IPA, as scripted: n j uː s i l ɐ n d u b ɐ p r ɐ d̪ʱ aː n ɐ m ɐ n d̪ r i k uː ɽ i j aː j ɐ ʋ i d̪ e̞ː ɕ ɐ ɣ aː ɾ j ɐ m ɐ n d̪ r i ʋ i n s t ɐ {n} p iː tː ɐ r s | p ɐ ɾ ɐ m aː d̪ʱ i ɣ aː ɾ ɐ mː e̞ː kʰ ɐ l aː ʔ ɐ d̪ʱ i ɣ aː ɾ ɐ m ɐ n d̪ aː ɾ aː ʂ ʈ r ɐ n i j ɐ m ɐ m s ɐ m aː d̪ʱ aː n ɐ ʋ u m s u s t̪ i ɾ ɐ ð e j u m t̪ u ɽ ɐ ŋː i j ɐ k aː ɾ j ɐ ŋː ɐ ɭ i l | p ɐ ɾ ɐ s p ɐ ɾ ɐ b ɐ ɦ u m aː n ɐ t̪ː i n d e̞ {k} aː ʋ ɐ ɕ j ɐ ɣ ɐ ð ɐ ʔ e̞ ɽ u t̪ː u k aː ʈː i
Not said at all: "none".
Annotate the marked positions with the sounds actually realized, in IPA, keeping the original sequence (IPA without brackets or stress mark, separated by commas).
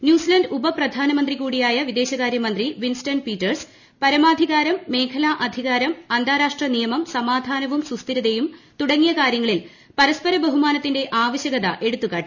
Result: n, ʔ